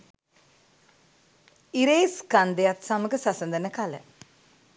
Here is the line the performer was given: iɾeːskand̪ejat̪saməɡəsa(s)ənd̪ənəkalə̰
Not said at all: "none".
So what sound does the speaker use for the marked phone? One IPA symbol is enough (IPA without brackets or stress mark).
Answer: s